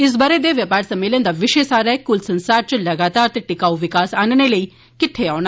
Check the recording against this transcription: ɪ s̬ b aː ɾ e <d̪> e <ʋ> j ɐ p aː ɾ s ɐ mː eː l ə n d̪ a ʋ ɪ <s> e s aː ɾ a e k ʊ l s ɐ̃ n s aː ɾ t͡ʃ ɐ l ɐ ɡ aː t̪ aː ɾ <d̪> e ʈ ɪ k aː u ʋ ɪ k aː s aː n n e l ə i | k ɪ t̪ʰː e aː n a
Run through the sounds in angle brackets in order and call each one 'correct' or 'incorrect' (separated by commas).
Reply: correct, correct, incorrect, incorrect